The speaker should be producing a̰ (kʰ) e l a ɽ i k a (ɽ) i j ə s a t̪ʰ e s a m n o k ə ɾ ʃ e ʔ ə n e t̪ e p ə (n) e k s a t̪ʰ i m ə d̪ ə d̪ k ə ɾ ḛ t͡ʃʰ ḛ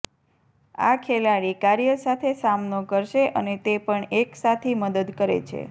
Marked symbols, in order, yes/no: yes, no, no

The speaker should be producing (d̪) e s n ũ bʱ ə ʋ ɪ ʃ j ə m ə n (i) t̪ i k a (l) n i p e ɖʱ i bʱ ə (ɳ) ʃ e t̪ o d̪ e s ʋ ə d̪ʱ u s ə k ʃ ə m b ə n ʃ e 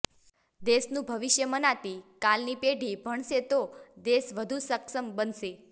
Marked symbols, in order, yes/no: yes, no, yes, yes

